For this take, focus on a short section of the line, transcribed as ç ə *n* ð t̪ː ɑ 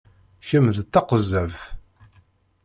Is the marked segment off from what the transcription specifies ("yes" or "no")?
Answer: yes